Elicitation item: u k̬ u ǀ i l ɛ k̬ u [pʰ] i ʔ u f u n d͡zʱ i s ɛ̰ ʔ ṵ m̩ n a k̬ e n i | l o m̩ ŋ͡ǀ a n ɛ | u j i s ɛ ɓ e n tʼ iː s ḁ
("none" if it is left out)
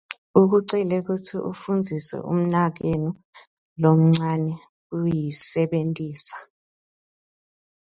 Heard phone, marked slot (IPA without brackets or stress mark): tʰ